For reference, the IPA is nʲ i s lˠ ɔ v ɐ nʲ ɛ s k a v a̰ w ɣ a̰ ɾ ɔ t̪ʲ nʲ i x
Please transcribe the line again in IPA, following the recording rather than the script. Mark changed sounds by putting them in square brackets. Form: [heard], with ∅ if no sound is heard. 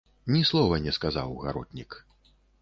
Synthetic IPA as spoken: nʲ i s lˠ ɔ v ɐ nʲ ɛ s k a [z] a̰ w ɣ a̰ ɾ ɔ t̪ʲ nʲ i [k]